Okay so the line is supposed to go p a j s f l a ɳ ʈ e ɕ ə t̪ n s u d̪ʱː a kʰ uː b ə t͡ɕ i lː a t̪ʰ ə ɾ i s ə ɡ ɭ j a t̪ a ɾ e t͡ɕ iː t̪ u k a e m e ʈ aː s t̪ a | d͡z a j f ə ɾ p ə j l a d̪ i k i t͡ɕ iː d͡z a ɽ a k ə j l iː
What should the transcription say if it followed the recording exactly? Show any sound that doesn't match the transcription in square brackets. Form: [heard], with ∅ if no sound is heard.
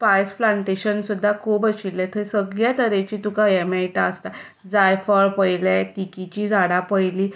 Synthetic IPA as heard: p a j s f l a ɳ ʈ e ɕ ə [∅] n s u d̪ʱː a kʰ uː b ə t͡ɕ i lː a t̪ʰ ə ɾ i s ə ɡ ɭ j a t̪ [ə] ɾ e t͡ɕ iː t̪ u k a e m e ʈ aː s t̪ a | d͡z a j f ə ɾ p ə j l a [t̪] i k i t͡ɕ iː d͡z a ɽ a [p] ə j l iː